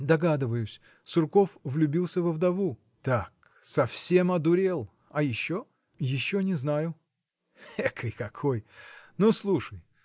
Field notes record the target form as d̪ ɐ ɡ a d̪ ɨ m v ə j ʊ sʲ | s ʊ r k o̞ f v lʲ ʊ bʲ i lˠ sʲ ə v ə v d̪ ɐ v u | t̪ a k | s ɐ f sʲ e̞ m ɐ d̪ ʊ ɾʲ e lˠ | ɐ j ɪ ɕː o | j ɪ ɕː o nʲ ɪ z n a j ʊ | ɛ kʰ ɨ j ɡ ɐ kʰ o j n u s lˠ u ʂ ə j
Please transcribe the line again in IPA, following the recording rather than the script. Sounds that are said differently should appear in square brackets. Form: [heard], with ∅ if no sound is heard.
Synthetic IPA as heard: d̪ ɐ ɡ a d̪ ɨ [∅] v ə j ʊ sʲ | s ʊ r k o̞ f v lʲ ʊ bʲ i lˠ sʲ ə v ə v d̪ ɐ v u | t̪ a k | s ɐ f sʲ e̞ m ɐ d̪ ʊ ɾʲ e lˠ | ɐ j ɪ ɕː o | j ɪ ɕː o nʲ ɪ z n a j ʊ | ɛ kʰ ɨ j [k] ɐ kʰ o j n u s lˠ u ʂ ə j